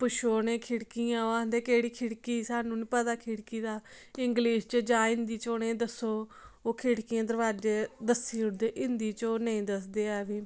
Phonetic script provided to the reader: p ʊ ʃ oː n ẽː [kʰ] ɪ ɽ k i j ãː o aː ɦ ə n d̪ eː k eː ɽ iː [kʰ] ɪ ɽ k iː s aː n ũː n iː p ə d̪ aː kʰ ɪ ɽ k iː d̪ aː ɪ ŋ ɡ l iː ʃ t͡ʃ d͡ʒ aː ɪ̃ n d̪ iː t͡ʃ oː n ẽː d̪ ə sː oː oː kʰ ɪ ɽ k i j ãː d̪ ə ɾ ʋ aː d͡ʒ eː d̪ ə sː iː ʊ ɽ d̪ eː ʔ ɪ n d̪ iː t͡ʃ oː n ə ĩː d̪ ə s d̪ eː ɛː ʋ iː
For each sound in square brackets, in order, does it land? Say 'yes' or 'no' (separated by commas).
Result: yes, yes